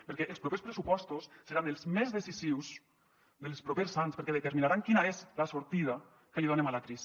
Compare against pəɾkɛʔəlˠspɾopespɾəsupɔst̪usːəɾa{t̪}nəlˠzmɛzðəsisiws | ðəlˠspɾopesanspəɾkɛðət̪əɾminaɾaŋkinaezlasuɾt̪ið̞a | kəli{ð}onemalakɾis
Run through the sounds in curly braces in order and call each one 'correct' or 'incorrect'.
incorrect: none, correct

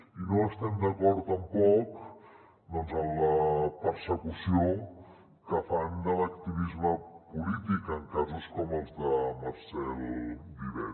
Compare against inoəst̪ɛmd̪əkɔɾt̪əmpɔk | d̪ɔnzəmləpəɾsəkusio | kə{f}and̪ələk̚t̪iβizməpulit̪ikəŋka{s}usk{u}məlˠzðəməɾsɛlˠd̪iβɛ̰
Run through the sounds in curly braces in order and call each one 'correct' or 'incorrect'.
correct, incorrect: z, incorrect: ɔ

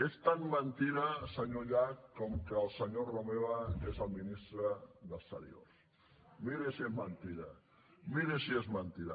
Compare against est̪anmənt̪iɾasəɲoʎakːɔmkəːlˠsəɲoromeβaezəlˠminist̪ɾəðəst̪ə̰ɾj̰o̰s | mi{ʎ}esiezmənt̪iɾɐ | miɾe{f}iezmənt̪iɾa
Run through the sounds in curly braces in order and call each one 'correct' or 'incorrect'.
incorrect: ɾ, incorrect: s

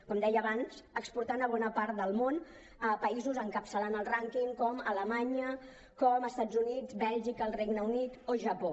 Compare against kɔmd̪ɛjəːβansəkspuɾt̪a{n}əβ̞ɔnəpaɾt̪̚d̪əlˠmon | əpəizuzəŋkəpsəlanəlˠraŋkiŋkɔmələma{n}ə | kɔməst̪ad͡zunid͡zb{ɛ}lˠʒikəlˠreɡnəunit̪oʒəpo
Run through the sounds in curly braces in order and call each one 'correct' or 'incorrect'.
correct, incorrect: ɲ, correct

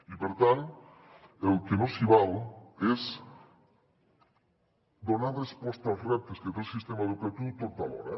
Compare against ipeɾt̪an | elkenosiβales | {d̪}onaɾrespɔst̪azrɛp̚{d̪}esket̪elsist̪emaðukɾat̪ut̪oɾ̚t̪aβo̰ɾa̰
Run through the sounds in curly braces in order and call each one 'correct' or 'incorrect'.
correct, incorrect: t̪

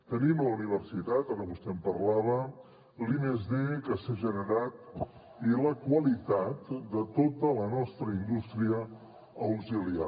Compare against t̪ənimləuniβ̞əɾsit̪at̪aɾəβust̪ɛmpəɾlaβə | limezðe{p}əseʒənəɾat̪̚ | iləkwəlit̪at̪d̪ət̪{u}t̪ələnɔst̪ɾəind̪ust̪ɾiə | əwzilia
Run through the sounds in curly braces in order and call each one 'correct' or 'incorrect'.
incorrect: k, incorrect: o

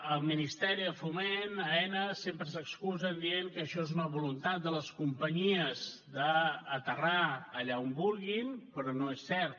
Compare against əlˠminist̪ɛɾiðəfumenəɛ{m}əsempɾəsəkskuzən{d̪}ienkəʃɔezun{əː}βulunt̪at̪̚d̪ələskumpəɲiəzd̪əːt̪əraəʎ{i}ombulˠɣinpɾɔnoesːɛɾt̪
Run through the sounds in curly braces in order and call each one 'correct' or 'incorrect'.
incorrect: n, correct, incorrect: ə, incorrect: a

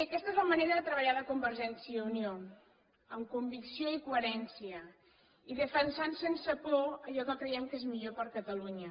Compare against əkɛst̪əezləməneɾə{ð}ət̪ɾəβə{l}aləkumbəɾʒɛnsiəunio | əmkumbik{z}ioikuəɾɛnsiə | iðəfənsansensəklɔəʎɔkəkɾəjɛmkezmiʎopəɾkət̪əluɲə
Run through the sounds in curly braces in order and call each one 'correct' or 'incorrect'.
correct, incorrect: ʎ, incorrect: s

